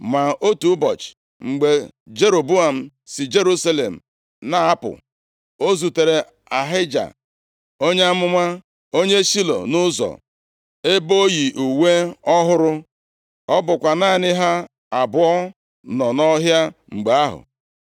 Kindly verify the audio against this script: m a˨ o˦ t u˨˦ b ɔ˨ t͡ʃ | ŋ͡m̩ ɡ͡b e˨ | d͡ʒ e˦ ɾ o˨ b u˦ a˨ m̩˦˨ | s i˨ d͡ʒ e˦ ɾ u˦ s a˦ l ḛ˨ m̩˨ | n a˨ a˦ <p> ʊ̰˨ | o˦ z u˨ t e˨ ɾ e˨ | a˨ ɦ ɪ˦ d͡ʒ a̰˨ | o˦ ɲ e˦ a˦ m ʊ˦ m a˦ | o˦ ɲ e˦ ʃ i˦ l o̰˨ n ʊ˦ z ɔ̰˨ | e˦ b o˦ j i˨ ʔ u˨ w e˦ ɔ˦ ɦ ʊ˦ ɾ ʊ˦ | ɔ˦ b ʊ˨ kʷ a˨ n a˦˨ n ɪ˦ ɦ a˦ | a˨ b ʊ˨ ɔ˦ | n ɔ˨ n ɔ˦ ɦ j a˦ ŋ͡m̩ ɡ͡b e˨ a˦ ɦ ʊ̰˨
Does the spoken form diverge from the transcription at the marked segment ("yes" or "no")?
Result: no